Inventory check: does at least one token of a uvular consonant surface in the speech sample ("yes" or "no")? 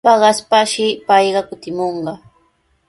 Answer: yes